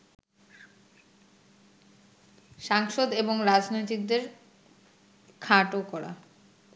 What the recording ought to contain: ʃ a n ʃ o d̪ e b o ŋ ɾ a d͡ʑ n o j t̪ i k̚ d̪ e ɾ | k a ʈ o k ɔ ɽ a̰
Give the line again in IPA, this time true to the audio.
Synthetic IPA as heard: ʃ a ŋ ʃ o d̪ e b o ŋ ɾ a d͡ʑ n o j t̪ i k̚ d̪ e ɾ | kʰ a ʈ o k ɔ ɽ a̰